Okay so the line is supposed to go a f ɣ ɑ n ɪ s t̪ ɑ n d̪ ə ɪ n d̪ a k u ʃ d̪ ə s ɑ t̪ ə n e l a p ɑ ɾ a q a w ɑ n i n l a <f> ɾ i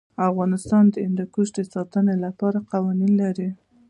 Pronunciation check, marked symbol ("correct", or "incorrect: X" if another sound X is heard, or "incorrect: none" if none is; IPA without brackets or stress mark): incorrect: none